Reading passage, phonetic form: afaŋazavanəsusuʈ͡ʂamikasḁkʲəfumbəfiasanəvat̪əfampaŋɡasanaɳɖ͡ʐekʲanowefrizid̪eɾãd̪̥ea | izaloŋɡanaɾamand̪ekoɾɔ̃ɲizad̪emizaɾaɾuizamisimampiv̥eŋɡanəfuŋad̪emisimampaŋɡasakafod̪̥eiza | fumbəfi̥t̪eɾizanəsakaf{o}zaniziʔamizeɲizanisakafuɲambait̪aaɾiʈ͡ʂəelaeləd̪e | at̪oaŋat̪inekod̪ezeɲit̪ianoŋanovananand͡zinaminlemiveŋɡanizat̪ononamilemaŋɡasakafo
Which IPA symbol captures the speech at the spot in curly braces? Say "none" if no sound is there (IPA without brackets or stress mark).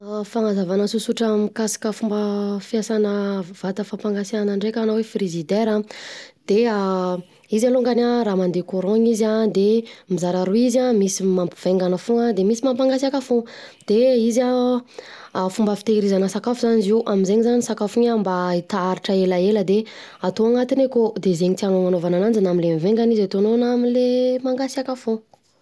u